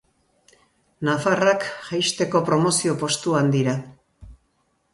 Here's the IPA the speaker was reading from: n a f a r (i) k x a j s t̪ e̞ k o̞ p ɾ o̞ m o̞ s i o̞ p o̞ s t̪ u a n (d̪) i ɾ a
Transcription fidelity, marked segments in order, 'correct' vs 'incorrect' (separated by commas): incorrect, correct